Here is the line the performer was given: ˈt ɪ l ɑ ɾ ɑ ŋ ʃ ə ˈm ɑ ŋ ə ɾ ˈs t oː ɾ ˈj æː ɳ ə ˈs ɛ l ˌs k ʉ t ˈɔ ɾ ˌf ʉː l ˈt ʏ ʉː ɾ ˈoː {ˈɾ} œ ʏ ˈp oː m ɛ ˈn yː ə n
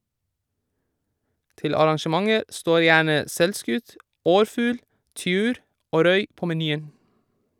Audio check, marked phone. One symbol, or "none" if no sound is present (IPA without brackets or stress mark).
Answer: ɾ